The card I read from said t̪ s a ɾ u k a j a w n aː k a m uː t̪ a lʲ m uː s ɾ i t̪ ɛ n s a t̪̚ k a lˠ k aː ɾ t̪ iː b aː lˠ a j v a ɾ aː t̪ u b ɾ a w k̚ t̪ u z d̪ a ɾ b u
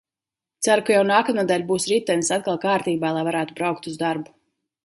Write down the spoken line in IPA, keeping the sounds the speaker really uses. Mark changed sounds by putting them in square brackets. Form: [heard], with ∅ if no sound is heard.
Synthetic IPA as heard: t̪ s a ɾ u k a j a w n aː k a m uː [d̪] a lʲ [b] uː s ɾ i t̪ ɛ n s a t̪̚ k a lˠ k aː ɾ t̪ iː b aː lˠ a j v a ɾ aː t̪ u b ɾ a w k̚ t̪ u z d̪ a ɾ b u